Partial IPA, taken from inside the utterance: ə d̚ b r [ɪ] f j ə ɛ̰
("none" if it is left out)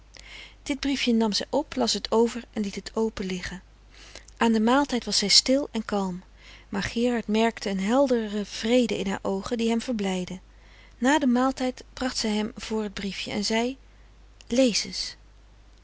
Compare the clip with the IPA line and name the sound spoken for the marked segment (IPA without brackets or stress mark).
i